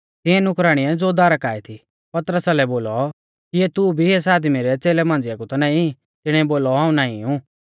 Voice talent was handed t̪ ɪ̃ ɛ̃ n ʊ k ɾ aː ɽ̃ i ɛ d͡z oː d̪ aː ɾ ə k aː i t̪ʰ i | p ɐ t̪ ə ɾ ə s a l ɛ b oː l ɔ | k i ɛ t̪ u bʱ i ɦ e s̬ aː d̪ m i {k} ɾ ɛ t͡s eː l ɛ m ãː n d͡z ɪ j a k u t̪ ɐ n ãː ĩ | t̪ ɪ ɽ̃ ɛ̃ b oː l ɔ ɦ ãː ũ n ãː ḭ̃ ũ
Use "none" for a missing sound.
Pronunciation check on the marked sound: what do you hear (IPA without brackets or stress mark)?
none